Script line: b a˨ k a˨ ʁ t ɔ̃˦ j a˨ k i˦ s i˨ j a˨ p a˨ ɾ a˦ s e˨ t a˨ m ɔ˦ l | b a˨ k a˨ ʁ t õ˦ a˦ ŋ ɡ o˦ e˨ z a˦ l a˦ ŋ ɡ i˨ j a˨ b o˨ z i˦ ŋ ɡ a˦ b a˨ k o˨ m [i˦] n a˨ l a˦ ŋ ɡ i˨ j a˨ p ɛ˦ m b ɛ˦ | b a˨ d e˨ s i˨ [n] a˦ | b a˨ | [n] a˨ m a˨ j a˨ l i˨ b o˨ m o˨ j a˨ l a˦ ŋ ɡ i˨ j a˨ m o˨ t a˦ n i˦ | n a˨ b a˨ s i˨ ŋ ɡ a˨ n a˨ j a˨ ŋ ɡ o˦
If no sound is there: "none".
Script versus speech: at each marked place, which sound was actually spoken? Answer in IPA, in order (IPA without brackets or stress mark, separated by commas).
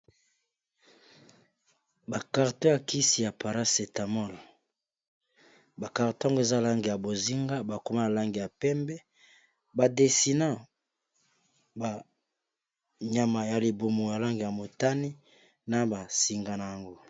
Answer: a˦, n, ɲ